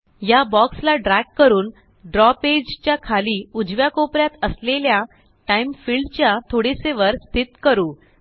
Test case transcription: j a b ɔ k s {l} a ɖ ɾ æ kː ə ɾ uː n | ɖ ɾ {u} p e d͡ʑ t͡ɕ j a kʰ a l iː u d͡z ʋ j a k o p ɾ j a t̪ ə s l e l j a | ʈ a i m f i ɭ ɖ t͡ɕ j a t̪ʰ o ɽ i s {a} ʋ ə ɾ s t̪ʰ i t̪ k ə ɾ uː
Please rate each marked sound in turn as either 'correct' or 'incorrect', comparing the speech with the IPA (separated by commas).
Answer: correct, incorrect, incorrect